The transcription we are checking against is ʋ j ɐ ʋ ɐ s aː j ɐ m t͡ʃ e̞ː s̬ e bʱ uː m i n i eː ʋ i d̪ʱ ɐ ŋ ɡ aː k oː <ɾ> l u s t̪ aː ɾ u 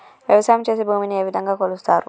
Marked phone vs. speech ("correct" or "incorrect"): incorrect